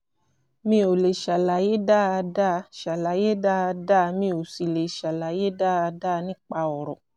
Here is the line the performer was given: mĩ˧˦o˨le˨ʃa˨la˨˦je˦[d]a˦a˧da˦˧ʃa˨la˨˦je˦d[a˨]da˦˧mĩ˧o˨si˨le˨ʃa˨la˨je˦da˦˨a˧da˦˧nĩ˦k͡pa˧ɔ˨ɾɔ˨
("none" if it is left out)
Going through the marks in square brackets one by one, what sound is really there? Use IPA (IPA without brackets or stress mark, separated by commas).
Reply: d, a˦˧